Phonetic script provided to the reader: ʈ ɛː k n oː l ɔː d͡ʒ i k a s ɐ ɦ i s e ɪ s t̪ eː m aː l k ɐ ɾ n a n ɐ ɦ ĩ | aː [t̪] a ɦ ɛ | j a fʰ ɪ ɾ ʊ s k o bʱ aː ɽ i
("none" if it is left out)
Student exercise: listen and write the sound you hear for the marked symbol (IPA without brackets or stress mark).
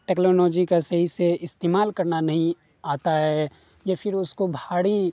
t̪